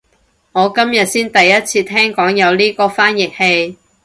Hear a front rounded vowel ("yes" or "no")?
no